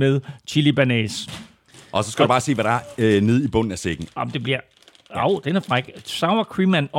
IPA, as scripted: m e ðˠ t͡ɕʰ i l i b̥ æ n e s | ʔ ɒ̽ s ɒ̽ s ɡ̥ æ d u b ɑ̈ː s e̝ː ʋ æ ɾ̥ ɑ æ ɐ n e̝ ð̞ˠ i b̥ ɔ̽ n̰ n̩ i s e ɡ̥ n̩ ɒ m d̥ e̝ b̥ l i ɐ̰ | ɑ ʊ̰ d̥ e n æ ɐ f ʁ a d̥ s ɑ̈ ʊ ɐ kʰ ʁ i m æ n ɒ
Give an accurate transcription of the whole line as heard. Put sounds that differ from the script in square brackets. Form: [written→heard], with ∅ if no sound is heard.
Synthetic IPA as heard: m e ðˠ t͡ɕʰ i l i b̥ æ n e s | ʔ ɒ̽ s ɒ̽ s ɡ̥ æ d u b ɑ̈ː s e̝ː ʋ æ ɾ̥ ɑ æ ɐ n e̝ ð̞ˠ i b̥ ɔ̽ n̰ n̩ [i→æ] s e ɡ̥ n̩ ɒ m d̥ e̝ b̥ l i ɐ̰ | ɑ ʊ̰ d̥ e n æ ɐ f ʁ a [d̥→ɡ̥] s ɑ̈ ʊ ɐ kʰ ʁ i m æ n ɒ